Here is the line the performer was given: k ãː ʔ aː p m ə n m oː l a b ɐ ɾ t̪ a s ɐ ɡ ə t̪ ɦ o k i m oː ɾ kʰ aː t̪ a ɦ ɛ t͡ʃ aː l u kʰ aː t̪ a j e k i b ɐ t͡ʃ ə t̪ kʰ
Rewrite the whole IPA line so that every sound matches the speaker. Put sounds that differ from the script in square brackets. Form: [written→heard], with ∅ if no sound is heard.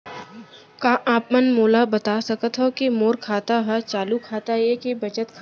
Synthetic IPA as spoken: k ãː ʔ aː p m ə n m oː l a b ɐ [ɾ→∅] t̪ a s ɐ [ɡ→k] ə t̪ ɦ o k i m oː ɾ kʰ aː t̪ a ɦ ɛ t͡ʃ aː l u kʰ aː t̪ a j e k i b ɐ t͡ʃ ə t̪ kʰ